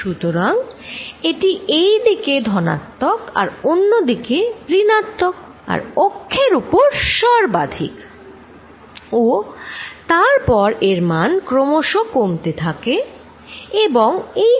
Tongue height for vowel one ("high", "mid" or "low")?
high